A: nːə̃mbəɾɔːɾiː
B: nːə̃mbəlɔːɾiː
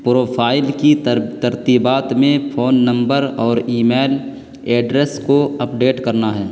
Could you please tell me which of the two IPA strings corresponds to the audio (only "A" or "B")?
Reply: A